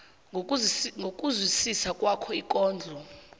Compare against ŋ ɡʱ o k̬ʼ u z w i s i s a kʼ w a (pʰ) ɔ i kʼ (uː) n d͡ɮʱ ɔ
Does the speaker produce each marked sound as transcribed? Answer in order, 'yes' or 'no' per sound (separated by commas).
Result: no, no